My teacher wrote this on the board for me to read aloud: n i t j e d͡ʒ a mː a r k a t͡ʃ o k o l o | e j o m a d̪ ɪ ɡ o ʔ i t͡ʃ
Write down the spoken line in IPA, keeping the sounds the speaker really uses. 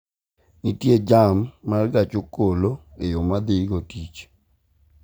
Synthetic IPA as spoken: n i t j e d͡ʒ a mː a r ɡ a t͡ʃ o k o l o | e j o m a d̪ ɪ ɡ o t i t͡ʃ